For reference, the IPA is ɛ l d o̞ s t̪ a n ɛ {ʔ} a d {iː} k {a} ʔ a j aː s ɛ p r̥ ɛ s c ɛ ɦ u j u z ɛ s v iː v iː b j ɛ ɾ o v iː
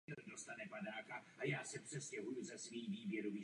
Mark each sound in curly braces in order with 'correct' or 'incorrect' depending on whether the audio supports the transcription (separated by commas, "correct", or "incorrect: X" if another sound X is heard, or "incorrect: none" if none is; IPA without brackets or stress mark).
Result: incorrect: p, incorrect: aː, correct